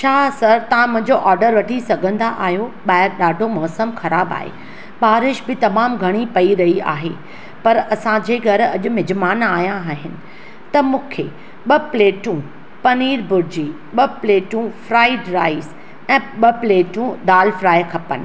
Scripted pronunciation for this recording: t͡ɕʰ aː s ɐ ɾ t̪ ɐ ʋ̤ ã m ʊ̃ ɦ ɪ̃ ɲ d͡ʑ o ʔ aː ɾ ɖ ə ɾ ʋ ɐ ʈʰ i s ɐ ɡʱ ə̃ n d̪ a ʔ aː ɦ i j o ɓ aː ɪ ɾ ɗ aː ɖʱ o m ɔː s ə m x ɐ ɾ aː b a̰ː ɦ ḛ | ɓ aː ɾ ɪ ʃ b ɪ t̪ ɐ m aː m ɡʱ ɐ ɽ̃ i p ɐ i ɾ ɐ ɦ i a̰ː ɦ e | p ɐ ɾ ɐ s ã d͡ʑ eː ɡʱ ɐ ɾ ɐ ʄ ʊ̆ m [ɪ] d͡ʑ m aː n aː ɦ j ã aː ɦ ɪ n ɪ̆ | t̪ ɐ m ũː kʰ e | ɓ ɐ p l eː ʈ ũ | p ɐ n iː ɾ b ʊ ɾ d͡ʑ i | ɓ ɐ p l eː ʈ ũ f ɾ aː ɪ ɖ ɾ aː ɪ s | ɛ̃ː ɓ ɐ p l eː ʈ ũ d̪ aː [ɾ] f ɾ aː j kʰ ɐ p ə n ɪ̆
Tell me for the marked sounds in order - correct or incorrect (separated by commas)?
correct, incorrect